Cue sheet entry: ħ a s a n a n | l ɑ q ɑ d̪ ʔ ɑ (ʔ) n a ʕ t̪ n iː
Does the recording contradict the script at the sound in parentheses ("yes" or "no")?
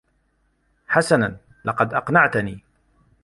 yes